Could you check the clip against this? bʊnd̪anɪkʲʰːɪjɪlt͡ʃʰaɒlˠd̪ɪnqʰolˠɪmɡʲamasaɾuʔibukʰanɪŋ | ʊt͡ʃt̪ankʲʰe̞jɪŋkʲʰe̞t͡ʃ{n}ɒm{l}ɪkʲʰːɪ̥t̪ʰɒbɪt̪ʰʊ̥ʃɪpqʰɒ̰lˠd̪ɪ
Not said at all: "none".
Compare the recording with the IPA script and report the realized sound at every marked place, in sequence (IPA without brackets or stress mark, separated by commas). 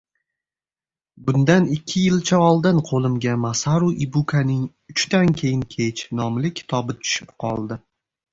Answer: n, l